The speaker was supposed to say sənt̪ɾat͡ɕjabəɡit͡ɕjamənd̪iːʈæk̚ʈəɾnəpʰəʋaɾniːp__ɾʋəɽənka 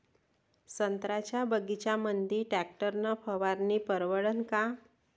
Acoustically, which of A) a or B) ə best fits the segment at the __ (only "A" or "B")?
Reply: B